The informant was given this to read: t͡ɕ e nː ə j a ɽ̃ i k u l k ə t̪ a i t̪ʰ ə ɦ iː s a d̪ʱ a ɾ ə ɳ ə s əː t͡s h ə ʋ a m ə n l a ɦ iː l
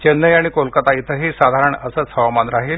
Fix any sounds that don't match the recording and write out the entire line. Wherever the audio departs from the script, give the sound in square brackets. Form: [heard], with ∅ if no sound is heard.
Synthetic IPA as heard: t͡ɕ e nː ə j a ɽ̃ i k [o] l k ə t̪ a i t̪ʰ ə ɦ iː s a d̪ʱ a ɾ ə ɳ ə s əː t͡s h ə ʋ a m [a] n [ɾ] a ɦ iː l